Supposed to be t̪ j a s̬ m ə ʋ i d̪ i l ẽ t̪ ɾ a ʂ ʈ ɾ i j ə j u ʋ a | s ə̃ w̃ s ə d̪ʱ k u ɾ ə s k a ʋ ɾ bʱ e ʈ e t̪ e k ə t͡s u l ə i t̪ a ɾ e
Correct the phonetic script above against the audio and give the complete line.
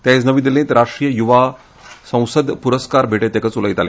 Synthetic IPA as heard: t̪ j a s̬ n ə ʋ i d̪ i l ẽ t̪ ɾ a ʂ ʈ ɾ i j ə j u ʋ a | s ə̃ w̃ s ə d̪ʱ p u ɾ ə s k a ɾ bʱ e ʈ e t̪ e k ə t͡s u l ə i t̪ a l e

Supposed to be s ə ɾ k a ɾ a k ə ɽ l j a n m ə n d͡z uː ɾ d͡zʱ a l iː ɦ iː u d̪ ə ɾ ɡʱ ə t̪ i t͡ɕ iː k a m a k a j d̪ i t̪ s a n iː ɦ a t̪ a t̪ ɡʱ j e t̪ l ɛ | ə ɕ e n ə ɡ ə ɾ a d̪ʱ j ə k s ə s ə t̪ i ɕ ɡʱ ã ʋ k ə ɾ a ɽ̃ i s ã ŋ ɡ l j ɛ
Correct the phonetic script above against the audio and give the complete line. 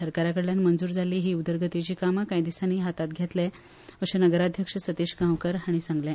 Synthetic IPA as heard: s ə ɾ k a ɾ a k ə ɽ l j a n m ə n d͡z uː ɾ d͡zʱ a l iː ɦ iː u d̪ ə ɾ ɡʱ ə t̪ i t͡ɕ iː k a m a k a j d̪ i s a n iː ɦ a t̪ a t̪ ɡʱ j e t̪ l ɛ | ə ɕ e n ə ɡ ə ɾ a d̪ʱ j ə k ʂ ə s ə t̪ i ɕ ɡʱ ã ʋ k ə ɾ a ɽ̃ i s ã ŋ ɡ l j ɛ

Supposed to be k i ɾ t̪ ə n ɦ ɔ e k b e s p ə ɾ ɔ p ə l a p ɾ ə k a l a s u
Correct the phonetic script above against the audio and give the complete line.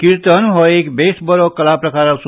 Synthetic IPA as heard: k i ɾ t̪ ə n ɦ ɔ e k b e s b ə ɾ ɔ k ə l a p ɾ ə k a ɾ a s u

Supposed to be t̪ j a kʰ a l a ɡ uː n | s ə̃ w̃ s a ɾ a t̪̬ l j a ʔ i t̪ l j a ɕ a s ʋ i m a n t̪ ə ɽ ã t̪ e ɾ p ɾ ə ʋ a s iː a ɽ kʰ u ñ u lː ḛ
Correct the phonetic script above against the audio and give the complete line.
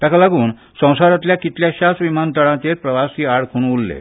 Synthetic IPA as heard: t̪ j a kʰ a l a ɡ uː n | s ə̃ w̃ s a ɾ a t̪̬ l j a k i t̪ l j a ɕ a s ʋ i m a n t̪ ə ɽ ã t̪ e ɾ p ɾ ə ʋ a s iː a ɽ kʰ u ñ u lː ḛ

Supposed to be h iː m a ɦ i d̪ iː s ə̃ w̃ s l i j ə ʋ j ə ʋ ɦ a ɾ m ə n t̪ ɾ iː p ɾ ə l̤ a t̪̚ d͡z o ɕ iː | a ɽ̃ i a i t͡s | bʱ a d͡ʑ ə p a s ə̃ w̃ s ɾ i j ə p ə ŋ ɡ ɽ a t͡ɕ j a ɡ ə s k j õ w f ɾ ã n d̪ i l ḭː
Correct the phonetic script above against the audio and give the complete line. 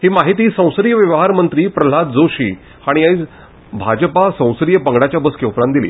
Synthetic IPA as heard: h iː m a ɦ i t̪ iː s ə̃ w̃ s ɾ i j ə ʋ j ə ʋ ɦ a ɾ m ə n t̪ ɾ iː p ɾ ə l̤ a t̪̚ d͡z o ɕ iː | a ɽ̃ i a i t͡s | bʱ a d͡ʑ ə p a s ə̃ w̃ s ɾ i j ə p ə ŋ ɡ ɽ a t͡ɕ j a b ə s k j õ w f ɾ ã n d̪ i l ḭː

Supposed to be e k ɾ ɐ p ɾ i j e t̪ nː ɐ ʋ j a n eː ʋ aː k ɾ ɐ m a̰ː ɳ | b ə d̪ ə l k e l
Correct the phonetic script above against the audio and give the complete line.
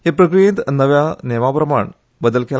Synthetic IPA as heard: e p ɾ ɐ k ɾ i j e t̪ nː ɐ ʋ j a n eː ʋ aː p ɾ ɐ m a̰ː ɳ | b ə d̪ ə l k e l

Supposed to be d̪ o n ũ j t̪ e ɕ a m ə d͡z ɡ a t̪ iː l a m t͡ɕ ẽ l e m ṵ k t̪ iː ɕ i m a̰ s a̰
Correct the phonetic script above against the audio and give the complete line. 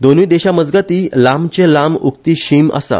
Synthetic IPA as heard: d̪ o n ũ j d̪ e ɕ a m ə d͡z ɡ a t̪ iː l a m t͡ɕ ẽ l a m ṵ k t̪ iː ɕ i m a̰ s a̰

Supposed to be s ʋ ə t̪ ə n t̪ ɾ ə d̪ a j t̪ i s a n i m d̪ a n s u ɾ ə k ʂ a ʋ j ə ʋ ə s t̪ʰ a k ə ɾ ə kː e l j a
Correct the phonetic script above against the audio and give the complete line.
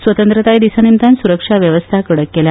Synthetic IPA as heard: s ʋ ə t̪ ə n t̪ ɾ ə t̪ a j d̪ i s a n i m t̪ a n s u ɾ ə k ʂ a ʋ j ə ʋ ə s t̪ʰ a k ə ɽ ə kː e l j a

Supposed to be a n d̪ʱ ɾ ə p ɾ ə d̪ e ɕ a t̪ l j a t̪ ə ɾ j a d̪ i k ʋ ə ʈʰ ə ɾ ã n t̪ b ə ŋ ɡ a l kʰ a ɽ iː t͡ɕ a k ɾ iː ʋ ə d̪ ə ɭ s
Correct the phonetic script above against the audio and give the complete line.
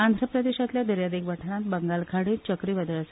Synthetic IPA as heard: a n d̪ʱ ɾ ə p ɾ ə d̪ e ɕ a t̪ l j a d̪ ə ɾ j a d̪ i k ʋ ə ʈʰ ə ɾ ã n t̪ b ə ŋ ɡ a l kʰ a ɽ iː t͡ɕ ə k ɾ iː ʋ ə d̪ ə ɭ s

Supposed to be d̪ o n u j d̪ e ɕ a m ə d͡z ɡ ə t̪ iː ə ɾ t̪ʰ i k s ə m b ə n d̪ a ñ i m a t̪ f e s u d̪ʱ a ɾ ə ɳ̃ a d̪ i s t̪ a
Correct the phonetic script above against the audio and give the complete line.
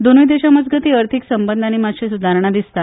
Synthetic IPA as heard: d̪ o n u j d̪ e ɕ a m ə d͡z ɡ ə t̪ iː ə ɾ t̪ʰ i k s ə m b ə n d̪ a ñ i m a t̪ ɕ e s u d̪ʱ a ɾ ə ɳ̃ a d̪ i s t̪ a

